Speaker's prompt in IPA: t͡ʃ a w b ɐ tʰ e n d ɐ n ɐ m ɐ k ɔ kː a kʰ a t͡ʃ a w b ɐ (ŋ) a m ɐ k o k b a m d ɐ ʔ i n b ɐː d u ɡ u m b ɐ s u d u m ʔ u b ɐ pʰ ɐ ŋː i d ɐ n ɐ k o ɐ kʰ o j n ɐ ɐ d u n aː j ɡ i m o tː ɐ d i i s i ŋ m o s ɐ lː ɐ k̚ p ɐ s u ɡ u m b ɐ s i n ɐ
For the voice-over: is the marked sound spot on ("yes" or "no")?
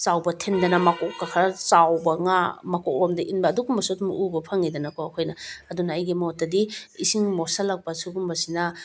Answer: yes